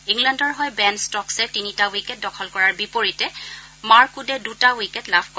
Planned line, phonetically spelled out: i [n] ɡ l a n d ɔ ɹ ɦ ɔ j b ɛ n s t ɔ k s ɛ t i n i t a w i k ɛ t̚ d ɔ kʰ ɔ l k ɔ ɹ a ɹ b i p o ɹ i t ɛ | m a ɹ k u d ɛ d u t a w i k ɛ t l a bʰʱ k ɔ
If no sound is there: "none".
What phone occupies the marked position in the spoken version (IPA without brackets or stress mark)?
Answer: ŋ